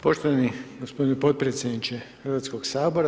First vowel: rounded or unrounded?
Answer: rounded